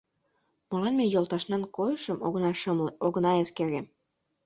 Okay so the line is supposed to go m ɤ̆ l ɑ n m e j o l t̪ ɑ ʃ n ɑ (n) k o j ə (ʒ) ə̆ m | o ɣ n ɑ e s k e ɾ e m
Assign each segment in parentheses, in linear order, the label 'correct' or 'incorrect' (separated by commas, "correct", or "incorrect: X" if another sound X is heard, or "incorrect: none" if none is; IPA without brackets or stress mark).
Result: correct, incorrect: ʃ